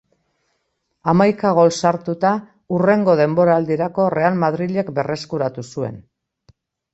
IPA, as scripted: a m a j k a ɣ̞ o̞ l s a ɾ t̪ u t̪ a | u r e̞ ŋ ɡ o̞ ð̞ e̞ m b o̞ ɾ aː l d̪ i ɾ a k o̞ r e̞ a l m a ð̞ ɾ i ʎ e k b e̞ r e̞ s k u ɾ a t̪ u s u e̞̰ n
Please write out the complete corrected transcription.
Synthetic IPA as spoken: a m a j k a ɣ̞ o̞ l s a ɾ t̪ u t̪ a | u r e̞ ŋ ɡ o̞ ð̞ e̞ m b o̞ ɾ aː l d̪ i ɾ a k o̞ r e̞ a l m a ð̞ ɾ i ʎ e k b e̞ r e̞ s k u ɾ a t̪ u s u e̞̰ n